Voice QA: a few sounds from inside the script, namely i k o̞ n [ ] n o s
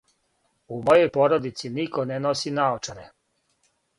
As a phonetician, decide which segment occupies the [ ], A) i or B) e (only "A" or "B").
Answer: B